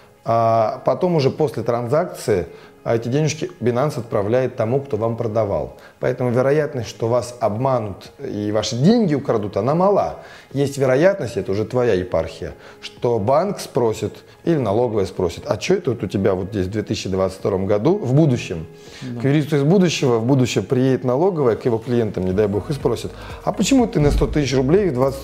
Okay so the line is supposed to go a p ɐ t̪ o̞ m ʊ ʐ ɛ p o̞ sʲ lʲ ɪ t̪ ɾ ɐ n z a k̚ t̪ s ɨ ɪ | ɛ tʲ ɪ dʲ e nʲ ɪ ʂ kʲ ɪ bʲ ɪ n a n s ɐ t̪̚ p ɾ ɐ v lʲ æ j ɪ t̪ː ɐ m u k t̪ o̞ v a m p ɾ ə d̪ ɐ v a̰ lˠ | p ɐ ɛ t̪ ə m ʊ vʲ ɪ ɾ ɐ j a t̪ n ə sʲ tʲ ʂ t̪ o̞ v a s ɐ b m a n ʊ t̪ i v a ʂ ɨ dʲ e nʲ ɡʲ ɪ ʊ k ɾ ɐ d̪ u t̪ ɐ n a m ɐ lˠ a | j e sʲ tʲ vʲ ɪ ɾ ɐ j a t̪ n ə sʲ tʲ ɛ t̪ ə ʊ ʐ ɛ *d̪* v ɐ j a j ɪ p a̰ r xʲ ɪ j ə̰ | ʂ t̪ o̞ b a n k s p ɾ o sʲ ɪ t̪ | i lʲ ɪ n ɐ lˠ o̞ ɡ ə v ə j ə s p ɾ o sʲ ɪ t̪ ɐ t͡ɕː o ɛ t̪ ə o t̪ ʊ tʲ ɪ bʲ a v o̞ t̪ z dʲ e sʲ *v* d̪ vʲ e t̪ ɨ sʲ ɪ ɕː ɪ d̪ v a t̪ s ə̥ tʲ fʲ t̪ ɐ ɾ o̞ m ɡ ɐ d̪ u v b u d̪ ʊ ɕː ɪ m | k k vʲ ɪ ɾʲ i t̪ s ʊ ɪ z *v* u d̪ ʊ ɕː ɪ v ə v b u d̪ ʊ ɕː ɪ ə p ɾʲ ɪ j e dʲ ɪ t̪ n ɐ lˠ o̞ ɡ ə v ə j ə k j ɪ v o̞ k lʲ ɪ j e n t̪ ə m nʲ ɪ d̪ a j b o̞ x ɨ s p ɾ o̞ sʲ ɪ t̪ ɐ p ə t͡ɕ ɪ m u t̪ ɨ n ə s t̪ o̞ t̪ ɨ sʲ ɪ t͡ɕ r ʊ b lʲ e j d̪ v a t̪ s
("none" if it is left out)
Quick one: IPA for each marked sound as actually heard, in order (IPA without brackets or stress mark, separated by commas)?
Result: t̪, v, b